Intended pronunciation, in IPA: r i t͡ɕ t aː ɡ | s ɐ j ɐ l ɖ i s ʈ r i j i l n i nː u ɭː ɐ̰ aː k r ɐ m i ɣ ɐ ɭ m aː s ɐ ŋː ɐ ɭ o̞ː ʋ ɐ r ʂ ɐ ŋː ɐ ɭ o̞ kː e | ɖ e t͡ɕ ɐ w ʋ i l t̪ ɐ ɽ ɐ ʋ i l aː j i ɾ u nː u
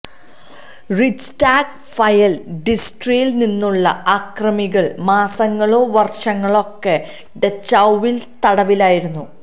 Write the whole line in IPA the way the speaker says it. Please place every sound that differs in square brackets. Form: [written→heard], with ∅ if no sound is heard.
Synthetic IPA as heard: r i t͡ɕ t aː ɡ | [s→f] ɐ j ɐ l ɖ i s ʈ r i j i l n i nː u ɭː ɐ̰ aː k r ɐ m i ɣ ɐ ɭ m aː s ɐ ŋː ɐ ɭ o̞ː ʋ ɐ r ʂ ɐ ŋː ɐ ɭ o̞ kː e | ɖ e t͡ɕ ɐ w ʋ i l t̪ ɐ ɽ ɐ ʋ i l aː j i ɾ u nː u